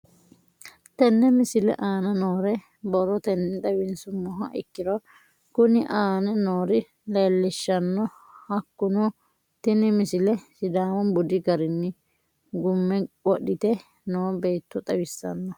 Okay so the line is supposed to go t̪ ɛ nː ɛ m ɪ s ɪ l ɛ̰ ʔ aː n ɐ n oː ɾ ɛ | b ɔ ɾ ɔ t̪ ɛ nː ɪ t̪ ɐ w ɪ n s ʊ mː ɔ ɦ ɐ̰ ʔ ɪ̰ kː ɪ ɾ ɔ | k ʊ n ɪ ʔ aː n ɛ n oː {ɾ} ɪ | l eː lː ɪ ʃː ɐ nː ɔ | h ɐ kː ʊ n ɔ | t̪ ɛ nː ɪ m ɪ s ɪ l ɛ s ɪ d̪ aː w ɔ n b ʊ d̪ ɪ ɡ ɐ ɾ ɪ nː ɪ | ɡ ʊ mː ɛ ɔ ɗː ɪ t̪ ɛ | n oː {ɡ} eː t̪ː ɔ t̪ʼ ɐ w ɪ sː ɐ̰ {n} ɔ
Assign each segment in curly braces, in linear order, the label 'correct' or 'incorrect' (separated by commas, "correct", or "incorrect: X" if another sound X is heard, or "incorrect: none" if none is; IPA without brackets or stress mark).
correct, incorrect: b, incorrect: nː